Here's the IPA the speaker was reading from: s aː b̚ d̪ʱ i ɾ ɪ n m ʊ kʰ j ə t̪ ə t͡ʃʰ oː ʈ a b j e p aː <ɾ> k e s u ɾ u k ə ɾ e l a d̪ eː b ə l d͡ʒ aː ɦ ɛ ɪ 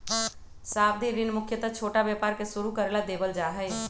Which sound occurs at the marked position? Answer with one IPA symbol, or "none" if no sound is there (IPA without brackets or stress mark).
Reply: ɾ